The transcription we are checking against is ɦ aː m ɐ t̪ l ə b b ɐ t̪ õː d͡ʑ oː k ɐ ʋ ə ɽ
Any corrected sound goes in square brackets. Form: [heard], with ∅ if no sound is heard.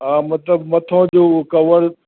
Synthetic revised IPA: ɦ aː m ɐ t̪ l ə b [m] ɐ [t̪ʰ] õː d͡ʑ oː k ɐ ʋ ə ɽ